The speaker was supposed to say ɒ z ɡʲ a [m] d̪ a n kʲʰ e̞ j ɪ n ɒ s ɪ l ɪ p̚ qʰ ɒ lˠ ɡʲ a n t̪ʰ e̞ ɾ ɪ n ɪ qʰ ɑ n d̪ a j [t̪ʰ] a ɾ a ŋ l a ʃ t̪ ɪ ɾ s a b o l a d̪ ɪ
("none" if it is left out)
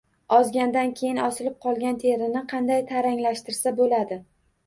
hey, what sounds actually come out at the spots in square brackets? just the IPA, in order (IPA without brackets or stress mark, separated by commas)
n, t̪ʰ